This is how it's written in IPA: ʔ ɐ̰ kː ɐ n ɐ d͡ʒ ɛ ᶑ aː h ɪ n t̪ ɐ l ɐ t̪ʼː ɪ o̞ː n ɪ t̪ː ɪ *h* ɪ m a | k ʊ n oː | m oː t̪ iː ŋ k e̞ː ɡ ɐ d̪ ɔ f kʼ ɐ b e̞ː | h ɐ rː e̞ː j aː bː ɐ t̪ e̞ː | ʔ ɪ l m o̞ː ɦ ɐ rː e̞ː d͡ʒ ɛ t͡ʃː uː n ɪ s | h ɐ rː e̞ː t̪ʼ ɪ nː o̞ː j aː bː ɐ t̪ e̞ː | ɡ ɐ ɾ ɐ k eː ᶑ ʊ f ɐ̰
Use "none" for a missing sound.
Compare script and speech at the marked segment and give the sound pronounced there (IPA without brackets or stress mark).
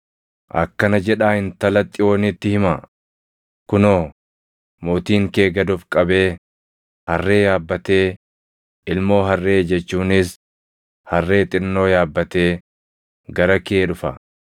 h